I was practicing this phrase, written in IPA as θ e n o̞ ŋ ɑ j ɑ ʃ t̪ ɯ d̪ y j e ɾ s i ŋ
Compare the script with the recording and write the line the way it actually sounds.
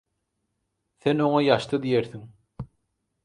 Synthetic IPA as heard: θ e n o̞ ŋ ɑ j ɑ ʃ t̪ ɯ d̪ i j e ɾ θ i ŋ